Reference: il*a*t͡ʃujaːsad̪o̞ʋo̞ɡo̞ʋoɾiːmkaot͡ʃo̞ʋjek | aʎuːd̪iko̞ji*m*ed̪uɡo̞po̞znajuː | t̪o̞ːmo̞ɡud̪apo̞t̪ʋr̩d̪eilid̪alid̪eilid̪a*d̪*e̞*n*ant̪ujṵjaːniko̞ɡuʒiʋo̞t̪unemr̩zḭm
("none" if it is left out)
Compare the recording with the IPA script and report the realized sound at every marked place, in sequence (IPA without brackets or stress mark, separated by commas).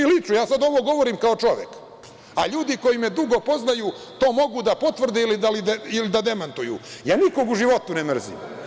i, m, d̪, m